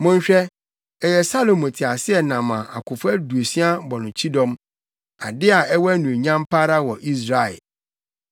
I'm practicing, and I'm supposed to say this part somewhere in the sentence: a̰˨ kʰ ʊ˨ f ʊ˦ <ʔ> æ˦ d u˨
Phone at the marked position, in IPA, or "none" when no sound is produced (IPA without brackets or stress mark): none